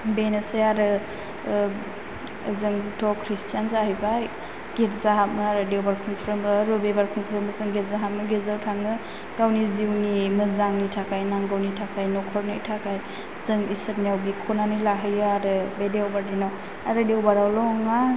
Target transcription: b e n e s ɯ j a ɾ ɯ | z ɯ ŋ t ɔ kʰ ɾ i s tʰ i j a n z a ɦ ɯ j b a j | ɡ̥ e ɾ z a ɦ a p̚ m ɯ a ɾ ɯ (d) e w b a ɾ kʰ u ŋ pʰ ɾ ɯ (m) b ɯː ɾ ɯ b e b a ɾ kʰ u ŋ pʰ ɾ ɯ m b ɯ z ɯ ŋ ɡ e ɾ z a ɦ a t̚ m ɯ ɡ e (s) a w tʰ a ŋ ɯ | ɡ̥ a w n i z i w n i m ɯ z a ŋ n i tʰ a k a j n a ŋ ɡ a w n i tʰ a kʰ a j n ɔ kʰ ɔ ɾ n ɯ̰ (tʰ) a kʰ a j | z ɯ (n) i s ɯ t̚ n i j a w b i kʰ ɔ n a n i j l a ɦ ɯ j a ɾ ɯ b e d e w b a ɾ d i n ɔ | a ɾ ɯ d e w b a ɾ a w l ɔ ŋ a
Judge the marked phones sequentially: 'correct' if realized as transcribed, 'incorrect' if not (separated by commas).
correct, correct, incorrect, correct, incorrect